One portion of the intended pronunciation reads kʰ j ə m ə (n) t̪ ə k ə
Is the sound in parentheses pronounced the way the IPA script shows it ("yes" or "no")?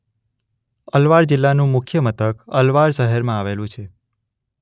no